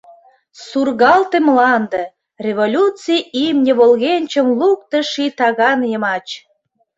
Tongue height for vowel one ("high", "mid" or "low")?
high